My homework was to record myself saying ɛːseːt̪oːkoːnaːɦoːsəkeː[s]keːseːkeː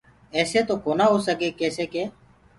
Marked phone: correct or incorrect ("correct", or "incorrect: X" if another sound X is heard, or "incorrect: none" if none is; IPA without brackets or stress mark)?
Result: incorrect: none